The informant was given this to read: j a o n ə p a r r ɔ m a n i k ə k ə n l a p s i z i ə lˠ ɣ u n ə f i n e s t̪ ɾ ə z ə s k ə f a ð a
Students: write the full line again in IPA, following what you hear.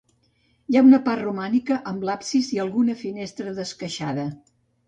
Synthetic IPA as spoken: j a u n ə p a r r u m a n i k ə ʔ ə m l a p s i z i ə lˠ ɣ u n ə f i n e s t̪ ɾ ə ð ə s k ə ʃ a ð ə